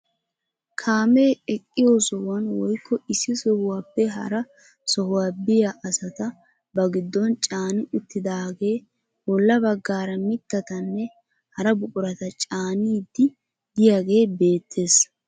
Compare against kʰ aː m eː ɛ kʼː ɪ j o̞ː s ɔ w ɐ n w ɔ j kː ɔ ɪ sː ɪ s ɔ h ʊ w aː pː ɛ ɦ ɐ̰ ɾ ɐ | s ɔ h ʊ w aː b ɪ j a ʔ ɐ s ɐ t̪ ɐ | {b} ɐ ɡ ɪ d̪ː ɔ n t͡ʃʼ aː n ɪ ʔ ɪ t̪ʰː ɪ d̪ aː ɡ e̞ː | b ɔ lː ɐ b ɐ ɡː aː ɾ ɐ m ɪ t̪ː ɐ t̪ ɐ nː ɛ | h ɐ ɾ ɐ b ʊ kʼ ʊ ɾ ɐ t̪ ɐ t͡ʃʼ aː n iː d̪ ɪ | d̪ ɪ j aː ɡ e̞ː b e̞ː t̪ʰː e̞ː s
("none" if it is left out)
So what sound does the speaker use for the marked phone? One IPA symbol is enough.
b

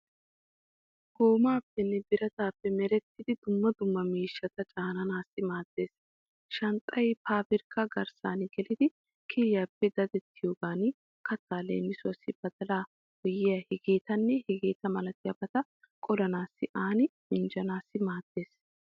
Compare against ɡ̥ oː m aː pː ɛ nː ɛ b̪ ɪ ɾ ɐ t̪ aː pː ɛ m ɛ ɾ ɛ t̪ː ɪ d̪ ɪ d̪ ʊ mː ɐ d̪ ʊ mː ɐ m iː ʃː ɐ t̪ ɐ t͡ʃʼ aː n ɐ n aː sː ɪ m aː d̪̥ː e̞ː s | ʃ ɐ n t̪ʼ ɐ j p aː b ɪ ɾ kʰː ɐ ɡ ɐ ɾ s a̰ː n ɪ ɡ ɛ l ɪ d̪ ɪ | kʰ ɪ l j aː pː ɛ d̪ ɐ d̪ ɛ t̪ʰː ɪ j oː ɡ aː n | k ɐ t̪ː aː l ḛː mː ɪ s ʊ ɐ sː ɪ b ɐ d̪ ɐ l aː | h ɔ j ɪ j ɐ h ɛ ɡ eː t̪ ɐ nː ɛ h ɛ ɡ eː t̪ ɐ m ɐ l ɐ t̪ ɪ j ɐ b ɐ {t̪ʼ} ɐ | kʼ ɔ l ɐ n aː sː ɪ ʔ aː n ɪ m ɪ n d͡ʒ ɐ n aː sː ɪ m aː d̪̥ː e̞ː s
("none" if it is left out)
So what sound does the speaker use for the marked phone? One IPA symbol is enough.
t̪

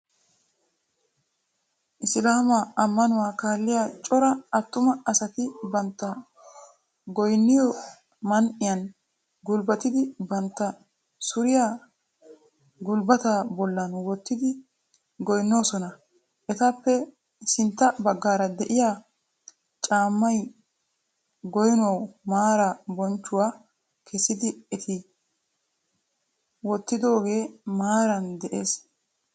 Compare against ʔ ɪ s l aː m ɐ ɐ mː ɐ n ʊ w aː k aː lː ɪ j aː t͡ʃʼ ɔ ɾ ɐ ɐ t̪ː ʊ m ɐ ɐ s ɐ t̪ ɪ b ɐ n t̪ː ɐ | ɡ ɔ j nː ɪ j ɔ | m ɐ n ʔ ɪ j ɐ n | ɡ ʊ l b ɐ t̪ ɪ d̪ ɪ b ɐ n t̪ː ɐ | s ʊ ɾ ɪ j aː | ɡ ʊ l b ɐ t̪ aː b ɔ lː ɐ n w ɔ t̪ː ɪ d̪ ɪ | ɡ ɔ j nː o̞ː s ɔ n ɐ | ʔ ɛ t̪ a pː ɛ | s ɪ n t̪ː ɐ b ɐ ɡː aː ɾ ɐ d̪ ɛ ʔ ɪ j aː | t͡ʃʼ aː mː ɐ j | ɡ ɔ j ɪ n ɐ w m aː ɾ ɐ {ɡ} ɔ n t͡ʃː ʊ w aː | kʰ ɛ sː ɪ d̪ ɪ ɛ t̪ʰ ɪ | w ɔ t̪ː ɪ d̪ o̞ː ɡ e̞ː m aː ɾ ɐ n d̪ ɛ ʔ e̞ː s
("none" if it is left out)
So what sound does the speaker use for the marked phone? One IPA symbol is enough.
b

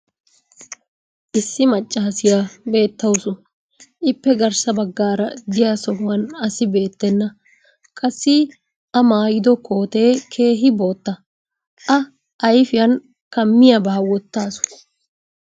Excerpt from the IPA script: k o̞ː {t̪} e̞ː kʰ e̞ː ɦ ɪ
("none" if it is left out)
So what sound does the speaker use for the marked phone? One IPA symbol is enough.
t̪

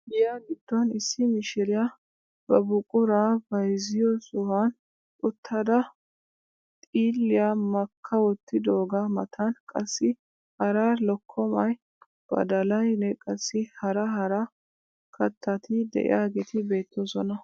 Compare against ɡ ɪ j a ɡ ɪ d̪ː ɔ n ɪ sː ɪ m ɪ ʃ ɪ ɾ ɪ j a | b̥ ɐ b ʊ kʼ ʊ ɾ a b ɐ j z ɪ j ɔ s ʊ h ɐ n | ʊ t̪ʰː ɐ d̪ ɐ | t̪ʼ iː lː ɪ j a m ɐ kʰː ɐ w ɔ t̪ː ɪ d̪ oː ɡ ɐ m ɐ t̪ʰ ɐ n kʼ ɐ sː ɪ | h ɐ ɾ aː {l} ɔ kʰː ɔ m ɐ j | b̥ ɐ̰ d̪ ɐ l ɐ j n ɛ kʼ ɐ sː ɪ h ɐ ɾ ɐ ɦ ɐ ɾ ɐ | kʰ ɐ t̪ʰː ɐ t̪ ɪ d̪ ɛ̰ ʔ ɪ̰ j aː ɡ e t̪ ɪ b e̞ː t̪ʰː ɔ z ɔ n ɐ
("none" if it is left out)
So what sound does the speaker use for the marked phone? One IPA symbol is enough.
l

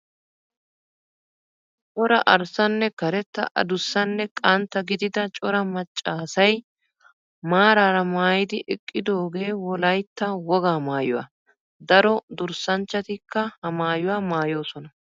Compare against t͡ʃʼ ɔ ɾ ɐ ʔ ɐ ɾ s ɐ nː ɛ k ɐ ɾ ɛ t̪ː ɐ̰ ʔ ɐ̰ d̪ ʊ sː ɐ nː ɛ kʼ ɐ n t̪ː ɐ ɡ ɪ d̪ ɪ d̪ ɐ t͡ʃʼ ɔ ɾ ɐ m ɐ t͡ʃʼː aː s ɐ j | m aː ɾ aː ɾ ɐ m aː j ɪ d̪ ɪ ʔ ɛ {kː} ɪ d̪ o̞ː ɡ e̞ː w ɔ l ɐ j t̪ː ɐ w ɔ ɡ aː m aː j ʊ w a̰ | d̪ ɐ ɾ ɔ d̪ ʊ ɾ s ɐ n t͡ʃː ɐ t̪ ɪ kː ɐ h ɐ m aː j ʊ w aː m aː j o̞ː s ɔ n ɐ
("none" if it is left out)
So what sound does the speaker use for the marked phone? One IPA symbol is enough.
kʼː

